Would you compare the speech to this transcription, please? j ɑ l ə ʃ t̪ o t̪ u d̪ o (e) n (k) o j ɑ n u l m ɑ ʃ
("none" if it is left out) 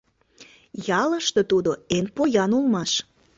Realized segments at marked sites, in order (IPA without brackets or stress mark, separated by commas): e, p